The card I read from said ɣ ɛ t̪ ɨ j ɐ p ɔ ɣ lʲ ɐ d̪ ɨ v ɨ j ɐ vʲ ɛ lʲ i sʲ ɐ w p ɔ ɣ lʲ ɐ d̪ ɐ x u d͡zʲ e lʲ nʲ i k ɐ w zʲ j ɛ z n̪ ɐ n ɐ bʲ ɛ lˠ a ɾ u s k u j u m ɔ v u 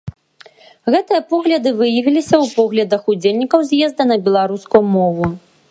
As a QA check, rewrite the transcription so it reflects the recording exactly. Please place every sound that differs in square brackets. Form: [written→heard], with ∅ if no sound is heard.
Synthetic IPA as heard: ɣ ɛ t̪ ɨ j ɐ p ɔ ɣ lʲ ɐ d̪ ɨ v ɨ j ɐ vʲ [ɛ→i] lʲ i sʲ ɐ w p ɔ ɣ lʲ ɐ d̪ ɐ x u d͡zʲ e lʲ nʲ i k ɐ w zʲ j ɛ z [n̪→d̪] ɐ n ɐ bʲ ɛ lˠ a ɾ u s k u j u m ɔ v u